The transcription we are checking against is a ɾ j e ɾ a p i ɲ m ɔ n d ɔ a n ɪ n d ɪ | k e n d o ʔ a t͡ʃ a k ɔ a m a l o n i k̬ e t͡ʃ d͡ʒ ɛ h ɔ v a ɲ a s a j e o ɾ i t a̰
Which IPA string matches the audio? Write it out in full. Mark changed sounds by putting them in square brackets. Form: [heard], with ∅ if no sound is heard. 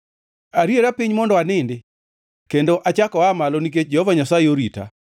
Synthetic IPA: a ɾ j e ɾ a p i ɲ m ɔ n d ɔ a n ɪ n d ɪ | k e n d o ʔ a t͡ʃ a k ɔ a m a l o n i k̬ e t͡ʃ d͡ʒ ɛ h ɔ v a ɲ a s a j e o ɾ i t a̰